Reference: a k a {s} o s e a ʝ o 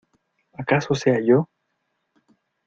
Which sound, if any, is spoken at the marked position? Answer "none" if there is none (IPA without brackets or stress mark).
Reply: s